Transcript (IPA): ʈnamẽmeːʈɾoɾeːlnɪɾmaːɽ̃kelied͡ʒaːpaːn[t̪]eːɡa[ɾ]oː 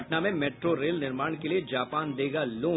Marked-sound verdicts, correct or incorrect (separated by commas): incorrect, incorrect